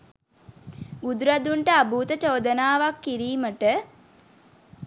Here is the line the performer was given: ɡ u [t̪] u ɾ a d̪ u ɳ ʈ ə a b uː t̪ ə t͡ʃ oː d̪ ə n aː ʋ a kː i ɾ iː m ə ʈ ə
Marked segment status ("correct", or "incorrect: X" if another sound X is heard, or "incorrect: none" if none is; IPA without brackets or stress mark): incorrect: d̪